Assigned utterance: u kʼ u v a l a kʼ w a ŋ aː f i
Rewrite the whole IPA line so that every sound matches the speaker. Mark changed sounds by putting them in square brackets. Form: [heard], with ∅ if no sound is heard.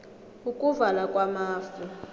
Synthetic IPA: u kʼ u v a l a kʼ w a [m] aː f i